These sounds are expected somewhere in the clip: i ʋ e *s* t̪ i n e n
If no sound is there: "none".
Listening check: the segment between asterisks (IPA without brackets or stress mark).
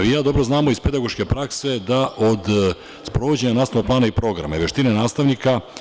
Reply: ʃ